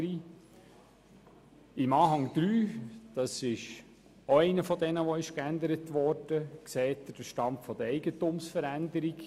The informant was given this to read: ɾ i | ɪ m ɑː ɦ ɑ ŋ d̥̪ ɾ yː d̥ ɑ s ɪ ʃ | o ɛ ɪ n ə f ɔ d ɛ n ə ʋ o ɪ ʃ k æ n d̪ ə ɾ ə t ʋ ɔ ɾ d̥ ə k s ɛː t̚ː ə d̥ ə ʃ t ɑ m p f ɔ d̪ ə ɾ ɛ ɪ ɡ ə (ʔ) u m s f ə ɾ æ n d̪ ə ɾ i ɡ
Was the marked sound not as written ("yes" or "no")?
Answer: yes